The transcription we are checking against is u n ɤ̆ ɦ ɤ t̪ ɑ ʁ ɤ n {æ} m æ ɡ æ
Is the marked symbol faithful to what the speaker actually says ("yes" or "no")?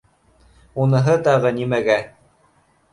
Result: no